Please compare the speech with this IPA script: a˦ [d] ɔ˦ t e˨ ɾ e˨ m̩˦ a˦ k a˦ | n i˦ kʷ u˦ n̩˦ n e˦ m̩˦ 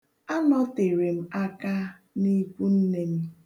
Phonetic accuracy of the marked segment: incorrect: n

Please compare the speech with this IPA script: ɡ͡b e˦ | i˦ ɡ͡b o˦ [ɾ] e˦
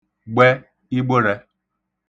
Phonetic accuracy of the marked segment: correct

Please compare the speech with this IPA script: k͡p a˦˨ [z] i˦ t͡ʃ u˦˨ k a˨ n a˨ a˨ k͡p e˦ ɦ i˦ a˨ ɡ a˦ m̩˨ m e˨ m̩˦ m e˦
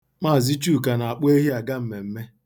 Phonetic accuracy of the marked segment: correct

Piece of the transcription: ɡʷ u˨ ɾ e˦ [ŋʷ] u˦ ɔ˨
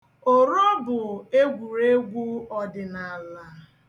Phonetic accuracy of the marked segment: incorrect: ɡʷ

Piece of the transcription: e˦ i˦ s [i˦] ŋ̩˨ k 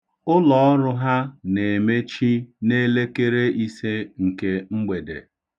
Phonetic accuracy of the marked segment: incorrect: e˦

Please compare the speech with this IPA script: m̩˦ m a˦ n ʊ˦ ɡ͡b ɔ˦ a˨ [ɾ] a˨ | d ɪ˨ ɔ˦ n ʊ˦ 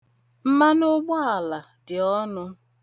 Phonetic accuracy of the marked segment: incorrect: l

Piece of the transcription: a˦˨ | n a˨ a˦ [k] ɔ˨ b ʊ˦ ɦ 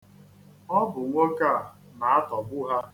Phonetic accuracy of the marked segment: incorrect: t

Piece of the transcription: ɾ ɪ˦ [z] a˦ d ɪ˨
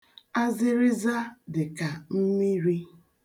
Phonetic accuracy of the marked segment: correct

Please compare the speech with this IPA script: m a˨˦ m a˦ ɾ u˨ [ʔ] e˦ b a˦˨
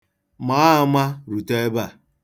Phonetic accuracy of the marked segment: incorrect: t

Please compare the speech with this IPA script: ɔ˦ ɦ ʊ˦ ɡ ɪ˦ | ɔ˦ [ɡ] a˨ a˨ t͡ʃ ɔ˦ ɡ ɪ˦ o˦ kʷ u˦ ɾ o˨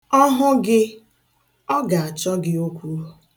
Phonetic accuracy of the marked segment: correct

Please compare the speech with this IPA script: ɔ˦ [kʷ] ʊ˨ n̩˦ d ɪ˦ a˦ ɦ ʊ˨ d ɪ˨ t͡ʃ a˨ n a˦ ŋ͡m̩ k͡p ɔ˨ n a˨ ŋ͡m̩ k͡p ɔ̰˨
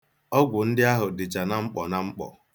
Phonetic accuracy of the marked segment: incorrect: ɡʷ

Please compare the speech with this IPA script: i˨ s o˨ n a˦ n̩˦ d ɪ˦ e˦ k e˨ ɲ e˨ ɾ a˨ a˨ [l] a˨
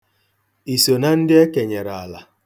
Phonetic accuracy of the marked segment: correct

